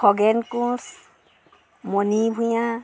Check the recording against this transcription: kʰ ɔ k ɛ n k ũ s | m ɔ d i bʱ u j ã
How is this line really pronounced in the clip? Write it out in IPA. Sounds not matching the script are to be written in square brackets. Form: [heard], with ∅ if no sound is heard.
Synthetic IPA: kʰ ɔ [ɡ] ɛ n k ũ s | m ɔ [n] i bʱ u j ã